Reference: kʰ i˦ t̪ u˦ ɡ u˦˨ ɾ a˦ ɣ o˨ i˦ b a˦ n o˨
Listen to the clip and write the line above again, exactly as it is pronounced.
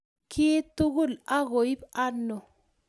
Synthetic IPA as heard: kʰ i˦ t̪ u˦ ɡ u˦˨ l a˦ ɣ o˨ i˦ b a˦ n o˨